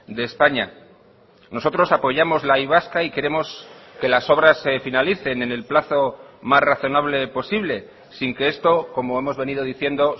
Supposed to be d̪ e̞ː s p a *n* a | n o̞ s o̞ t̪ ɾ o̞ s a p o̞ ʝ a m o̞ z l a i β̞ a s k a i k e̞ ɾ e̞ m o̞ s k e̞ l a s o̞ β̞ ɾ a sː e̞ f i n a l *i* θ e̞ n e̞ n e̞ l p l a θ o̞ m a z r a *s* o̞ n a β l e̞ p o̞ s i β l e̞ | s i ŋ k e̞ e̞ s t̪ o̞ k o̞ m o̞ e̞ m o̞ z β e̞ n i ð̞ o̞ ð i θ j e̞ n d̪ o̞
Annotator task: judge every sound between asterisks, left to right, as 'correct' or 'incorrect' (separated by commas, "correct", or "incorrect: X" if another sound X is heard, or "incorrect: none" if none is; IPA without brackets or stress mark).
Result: incorrect: ɲ, correct, incorrect: θ